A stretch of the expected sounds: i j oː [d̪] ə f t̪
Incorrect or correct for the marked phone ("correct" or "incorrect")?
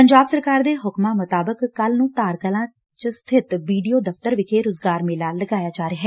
correct